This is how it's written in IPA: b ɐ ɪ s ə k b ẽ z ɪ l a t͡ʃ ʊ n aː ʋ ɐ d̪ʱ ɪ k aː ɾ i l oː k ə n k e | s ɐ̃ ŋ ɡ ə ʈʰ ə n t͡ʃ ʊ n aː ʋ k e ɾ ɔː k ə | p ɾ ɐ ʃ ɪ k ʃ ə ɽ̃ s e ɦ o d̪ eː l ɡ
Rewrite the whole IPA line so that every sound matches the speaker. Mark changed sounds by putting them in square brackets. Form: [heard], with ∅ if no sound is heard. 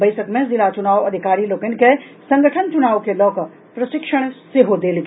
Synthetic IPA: b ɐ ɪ s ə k [m] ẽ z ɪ l a t͡ʃ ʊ n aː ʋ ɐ d̪ʱ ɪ k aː ɾ i l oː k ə n k e | s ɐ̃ ŋ ɡ ə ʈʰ ə n t͡ʃ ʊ n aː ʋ k e [l] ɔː k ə | p ɾ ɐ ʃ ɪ k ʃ ə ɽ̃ s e ɦ o d̪ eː l ɡ